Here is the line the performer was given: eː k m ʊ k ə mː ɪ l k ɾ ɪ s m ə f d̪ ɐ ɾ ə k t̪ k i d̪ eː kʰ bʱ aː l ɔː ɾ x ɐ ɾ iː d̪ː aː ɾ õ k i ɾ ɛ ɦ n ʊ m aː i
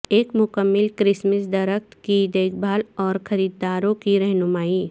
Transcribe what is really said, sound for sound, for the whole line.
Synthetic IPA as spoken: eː k m ʊ k ə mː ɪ l k ɾ ɪ s m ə s d̪ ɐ ɾ ə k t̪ k i d̪ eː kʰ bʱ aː l ɔː ɾ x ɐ ɾ iː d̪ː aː ɾ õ k i ɾ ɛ ɦ n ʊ m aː i